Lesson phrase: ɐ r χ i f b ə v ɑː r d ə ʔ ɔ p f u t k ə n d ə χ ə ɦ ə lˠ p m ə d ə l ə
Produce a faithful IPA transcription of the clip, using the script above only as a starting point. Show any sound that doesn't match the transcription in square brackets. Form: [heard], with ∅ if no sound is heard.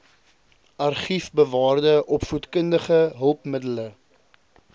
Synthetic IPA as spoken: ɐ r χ i f b ə v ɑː r d ə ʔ ɔ p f u t k ə n d ə χ ə ɦ ə lˠ p m ə d ə l ə